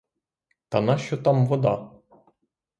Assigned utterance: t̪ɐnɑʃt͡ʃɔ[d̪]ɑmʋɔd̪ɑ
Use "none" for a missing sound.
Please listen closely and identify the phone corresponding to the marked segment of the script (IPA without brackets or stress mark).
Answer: t̪